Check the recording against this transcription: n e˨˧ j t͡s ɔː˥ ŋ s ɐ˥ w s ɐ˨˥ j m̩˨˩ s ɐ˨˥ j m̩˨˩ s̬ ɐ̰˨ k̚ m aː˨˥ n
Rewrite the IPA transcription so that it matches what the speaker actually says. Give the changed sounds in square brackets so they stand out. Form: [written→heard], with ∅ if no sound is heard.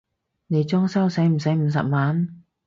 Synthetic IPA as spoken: n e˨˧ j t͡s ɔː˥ ŋ s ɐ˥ w s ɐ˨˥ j m̩˨˩ s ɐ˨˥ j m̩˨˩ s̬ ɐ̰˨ [k̚→p̚] m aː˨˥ n